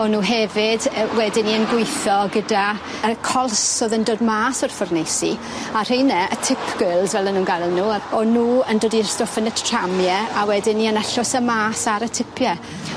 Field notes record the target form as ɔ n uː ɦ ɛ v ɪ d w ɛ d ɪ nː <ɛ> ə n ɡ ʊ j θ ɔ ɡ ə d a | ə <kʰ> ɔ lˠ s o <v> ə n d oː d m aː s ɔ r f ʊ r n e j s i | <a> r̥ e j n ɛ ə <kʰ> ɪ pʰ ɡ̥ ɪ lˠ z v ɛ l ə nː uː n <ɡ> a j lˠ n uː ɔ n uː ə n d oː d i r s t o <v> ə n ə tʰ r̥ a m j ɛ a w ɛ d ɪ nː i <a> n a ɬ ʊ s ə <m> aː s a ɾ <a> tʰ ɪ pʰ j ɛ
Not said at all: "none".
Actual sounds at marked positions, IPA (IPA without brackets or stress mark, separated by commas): i, kʰ, ð, a, tʰ, ɡ, f, ə, m, ə